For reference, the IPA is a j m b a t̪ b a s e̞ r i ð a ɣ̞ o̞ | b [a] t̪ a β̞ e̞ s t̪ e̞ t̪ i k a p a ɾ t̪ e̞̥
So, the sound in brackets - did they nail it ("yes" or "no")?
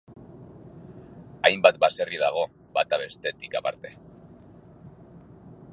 yes